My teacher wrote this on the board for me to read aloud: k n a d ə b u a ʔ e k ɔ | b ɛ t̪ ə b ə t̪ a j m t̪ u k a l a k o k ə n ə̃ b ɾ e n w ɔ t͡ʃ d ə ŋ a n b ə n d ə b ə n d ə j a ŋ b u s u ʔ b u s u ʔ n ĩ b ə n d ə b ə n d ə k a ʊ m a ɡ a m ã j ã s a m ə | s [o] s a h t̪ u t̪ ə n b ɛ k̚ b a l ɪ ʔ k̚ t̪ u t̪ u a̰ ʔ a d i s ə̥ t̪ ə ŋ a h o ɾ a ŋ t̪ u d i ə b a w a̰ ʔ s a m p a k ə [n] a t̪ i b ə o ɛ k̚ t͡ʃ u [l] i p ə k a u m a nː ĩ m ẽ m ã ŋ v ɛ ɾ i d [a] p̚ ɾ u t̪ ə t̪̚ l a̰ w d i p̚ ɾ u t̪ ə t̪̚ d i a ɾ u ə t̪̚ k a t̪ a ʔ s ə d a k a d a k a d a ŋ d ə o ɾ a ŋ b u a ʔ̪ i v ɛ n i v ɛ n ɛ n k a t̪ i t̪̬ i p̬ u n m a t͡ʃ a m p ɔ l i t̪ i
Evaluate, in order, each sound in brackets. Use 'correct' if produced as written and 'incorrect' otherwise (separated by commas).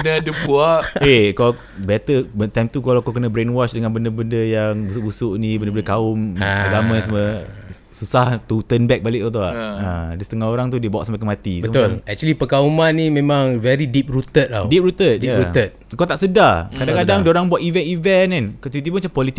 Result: incorrect, incorrect, correct, incorrect